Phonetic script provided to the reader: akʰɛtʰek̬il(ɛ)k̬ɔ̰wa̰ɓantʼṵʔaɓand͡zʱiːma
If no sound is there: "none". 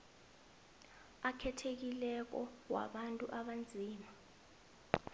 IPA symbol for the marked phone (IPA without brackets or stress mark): ɛ